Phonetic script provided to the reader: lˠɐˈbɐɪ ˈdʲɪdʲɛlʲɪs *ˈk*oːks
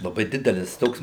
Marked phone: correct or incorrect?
incorrect: t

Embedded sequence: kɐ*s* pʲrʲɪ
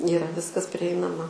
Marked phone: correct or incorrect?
correct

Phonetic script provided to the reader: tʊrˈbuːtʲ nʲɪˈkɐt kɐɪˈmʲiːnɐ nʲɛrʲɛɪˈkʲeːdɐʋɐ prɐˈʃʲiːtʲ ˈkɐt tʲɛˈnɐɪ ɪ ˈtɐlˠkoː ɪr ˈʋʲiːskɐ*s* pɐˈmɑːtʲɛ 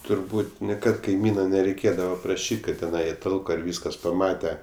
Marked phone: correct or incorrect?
correct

